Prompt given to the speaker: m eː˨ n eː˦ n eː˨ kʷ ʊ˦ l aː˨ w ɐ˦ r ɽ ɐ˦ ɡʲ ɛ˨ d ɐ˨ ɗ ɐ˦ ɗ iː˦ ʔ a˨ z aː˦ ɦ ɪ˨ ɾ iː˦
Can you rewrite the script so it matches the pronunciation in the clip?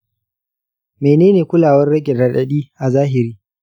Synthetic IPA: m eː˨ n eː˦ n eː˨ kʷ ʊ˦ l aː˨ w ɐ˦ r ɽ ɐ˦ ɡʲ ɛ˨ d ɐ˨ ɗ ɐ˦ ɗ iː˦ ʔ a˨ z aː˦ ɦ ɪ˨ ɾ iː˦